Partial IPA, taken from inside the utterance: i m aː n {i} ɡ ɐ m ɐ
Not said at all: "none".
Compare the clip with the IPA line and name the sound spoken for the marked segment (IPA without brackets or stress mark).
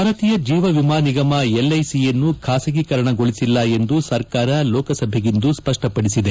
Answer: i